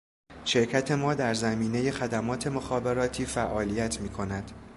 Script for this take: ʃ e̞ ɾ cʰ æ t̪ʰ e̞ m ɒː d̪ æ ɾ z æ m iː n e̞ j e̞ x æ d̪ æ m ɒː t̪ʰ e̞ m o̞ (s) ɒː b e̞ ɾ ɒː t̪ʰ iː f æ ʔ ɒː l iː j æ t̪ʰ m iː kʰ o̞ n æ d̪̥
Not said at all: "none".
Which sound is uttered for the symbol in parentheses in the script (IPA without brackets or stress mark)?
x